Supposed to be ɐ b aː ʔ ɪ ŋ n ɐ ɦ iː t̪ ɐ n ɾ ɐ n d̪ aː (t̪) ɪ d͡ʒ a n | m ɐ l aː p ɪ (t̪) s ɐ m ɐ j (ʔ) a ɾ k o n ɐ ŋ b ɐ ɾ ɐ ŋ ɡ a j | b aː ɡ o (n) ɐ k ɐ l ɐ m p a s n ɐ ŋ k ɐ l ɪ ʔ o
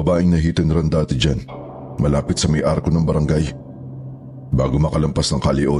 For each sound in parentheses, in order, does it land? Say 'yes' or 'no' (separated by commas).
yes, yes, yes, no